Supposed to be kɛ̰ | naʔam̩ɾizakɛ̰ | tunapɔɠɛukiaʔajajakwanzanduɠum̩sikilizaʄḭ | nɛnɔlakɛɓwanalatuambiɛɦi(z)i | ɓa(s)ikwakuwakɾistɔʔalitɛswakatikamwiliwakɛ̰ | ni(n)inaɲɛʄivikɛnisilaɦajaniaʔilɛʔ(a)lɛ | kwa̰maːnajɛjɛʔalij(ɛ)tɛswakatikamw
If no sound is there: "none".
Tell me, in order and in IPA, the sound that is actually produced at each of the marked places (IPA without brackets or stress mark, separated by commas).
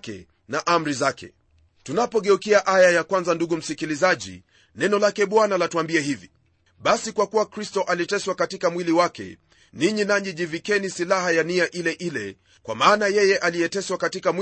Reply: v, s, ɲ, i, ɛ